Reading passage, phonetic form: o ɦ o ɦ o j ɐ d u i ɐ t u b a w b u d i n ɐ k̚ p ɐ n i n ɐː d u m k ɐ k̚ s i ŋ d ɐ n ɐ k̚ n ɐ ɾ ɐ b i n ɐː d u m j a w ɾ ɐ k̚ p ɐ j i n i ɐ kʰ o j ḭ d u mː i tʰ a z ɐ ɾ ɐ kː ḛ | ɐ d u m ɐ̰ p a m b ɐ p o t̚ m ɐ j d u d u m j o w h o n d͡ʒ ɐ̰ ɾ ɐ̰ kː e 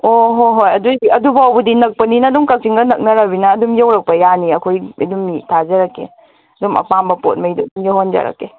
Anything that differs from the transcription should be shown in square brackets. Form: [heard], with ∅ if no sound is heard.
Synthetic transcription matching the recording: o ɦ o ɦ o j ɐ d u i ɐ [d] u b a w b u d i n ɐ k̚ p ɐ n i n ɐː d u m k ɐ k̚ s i ŋ [ɡ] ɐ n ɐ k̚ n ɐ ɾ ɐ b i n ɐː d u m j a w ɾ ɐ k̚ p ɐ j [a] n i ɐ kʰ o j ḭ d u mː i tʰ a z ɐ ɾ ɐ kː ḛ | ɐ d u m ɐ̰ p a m b ɐ p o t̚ m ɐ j d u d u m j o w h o n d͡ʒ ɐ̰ ɾ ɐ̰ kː e